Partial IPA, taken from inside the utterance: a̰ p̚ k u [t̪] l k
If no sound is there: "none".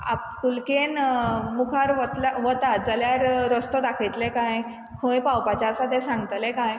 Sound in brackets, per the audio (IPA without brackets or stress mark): none